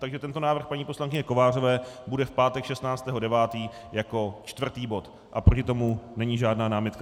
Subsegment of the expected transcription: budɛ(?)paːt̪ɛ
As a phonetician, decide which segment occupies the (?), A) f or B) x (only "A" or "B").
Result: A